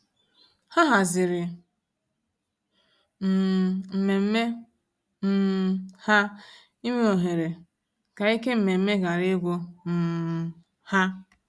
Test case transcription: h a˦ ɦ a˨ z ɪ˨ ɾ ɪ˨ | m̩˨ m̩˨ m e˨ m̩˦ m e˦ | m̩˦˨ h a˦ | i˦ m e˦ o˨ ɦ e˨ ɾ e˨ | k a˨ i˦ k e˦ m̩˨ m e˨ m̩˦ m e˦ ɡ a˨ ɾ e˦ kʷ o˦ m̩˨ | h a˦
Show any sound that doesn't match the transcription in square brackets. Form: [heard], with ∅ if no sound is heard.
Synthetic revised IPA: h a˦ ɦ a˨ z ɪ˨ ɾ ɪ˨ | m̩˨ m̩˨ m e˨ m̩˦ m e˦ | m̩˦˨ h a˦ | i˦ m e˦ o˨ ɦ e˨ ɾ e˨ | k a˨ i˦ k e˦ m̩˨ m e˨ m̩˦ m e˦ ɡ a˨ ɾ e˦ [ɡʷ] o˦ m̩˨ | h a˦

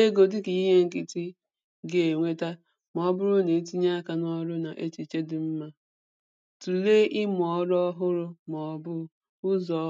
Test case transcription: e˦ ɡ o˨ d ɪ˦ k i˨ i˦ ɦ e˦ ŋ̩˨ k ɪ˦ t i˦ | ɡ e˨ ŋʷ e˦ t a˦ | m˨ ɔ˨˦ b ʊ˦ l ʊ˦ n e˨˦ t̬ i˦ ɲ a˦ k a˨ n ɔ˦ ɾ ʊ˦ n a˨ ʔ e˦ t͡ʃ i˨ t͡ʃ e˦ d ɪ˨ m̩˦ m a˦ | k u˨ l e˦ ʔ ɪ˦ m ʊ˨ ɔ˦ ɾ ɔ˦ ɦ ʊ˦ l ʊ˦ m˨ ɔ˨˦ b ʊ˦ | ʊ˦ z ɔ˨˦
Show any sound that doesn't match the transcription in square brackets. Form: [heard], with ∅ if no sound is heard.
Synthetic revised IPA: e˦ ɡ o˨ d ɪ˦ k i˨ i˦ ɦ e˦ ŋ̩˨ k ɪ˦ t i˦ | ɡ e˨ ŋʷ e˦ t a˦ | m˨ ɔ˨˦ b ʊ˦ [ɾ] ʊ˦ n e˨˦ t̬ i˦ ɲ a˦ k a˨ n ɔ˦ ɾ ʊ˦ n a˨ ʔ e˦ t͡ʃ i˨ t͡ʃ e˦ d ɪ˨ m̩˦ m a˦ | [t] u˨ l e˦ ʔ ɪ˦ m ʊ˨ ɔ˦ ɾ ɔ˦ ɦ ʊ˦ [ɾ] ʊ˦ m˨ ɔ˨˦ b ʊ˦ | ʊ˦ z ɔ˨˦

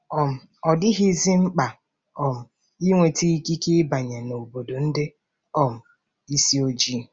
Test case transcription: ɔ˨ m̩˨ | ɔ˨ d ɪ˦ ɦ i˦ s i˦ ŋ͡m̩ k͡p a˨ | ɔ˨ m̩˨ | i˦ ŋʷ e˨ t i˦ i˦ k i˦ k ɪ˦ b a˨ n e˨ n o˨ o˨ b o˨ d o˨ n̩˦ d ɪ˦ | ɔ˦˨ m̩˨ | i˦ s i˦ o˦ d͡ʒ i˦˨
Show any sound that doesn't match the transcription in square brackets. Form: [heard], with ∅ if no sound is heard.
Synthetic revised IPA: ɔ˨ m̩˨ | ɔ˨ d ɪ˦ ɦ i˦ [z] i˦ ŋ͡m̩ k͡p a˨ | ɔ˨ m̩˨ | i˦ ŋʷ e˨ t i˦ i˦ k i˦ k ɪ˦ b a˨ [ɲ] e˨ n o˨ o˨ b o˨ d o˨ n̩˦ d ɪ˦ | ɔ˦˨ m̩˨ | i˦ s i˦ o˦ d͡ʒ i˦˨

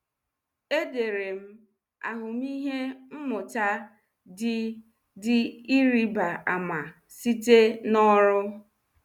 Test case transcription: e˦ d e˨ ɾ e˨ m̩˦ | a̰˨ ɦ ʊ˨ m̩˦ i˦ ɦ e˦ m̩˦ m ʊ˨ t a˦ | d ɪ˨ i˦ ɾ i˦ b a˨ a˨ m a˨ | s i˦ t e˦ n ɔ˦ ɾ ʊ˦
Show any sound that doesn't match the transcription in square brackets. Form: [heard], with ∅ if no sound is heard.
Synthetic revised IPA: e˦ d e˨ ɾ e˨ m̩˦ | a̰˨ ɦ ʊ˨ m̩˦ i˦ ɦ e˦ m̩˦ m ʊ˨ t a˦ | d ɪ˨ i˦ ɾ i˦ b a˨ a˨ m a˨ | s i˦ t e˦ n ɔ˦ ɾ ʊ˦

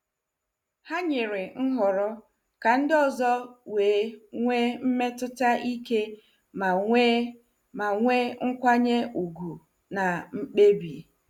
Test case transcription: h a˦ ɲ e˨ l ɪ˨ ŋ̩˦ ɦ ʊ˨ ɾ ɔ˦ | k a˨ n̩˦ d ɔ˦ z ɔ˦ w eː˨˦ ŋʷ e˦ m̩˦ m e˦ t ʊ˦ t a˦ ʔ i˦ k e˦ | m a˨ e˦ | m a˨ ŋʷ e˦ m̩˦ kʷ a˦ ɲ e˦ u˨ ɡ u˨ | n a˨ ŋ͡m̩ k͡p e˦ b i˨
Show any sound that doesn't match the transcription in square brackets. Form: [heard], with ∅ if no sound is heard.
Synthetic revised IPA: h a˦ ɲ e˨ [ɾ] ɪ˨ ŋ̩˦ ɦ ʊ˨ ɾ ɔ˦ | k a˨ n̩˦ d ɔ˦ z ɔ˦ w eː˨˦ ŋʷ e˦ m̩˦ m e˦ t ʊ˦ t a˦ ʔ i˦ k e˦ | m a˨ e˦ | m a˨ ŋʷ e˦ [ŋ̩˦] kʷ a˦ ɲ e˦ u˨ ɡ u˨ | n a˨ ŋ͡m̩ k͡p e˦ b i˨

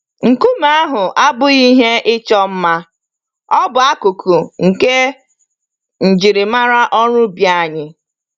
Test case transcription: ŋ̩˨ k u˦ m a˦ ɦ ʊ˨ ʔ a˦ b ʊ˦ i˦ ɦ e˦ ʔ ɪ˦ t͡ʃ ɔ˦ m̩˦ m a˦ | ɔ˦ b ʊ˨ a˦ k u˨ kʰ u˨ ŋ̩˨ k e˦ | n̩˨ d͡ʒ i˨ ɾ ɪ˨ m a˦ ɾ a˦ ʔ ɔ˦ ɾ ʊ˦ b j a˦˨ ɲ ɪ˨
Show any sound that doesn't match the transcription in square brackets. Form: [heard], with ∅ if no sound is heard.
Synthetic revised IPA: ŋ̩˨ k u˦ m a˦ ɦ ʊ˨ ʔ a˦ b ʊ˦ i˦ ɦ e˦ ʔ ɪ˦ t͡ʃ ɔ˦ m̩˦ m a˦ | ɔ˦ b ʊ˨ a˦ k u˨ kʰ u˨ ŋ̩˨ k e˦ | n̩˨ d͡ʒ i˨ ɾ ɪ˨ m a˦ ɾ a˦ ʔ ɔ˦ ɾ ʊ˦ b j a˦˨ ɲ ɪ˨

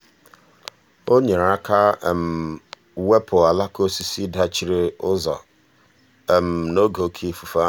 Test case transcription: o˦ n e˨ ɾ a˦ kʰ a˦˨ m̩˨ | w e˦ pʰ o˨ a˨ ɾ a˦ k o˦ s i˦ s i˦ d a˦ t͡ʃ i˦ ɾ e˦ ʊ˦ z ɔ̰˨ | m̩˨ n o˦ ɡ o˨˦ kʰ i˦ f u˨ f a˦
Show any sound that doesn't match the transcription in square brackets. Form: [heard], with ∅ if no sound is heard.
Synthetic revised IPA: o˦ [ɲ] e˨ ɾ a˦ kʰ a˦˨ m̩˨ | w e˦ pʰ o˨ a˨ [l] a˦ k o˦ s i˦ s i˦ d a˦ t͡ʃ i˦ ɾ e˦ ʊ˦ z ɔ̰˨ | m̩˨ n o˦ ɡ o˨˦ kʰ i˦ f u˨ f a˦

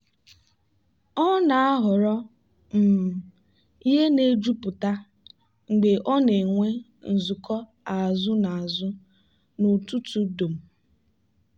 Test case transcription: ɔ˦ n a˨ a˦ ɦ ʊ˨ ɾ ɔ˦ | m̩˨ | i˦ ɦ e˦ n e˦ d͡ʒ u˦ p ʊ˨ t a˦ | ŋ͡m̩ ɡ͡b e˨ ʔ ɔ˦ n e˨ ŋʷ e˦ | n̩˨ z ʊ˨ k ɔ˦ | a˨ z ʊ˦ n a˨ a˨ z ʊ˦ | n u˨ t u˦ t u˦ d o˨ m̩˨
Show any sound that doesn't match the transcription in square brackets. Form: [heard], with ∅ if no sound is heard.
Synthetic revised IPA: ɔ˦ n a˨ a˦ ɦ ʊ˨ ɾ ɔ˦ | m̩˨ | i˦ ɦ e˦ n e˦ d͡ʒ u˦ p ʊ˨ t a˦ | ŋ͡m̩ ɡ͡b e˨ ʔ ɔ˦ n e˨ ŋʷ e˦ | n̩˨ z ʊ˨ k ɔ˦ | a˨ z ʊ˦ n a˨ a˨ z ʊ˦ | n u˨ t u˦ t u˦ d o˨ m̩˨

